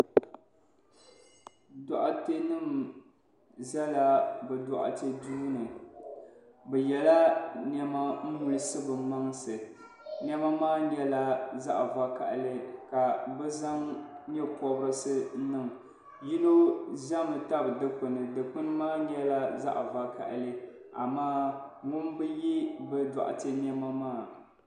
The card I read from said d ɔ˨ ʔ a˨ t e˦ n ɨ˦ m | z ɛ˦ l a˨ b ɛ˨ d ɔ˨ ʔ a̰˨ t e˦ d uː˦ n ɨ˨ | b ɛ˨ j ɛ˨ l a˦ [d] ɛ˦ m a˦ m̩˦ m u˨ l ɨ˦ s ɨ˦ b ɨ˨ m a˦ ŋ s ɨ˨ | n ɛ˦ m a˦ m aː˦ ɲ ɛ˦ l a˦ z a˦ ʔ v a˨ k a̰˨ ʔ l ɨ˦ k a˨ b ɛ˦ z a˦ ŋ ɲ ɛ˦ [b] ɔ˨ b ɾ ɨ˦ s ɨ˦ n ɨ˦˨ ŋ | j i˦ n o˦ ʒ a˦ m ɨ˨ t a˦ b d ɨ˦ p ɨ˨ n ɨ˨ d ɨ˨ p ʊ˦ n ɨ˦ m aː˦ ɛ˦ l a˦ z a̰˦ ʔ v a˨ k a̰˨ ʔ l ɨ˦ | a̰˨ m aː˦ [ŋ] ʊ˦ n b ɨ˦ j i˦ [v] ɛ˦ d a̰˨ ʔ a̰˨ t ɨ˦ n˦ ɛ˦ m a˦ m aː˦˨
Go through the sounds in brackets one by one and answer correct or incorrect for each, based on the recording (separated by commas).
incorrect, incorrect, correct, incorrect